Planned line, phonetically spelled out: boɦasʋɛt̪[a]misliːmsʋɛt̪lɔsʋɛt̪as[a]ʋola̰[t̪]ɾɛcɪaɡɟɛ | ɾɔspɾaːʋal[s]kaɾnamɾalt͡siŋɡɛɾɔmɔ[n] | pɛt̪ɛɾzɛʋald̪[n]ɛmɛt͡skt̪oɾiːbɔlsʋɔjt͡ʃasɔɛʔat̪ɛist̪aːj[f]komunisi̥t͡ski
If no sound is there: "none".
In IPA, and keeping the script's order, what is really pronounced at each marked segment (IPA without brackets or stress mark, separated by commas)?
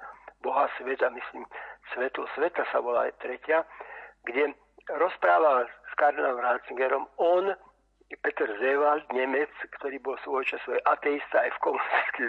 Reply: a, a, t̪, s, n, ɲ, f